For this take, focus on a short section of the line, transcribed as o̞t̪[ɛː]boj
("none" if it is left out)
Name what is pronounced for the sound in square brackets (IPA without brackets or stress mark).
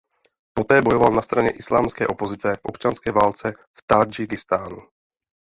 ɛː